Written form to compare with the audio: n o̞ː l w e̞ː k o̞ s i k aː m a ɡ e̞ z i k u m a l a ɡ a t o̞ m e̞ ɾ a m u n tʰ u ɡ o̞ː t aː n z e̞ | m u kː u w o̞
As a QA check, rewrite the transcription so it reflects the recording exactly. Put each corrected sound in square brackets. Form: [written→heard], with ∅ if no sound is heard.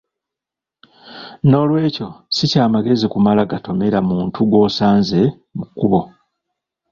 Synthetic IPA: n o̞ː l w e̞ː [k→c] o̞ s i [k→c] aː m a ɡ e̞ z i k u m a l a ɡ a t o̞ m e̞ ɾ a m [u→uː] n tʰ u ɡ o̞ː [t→s] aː n z e̞ | m u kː u [w→β] o̞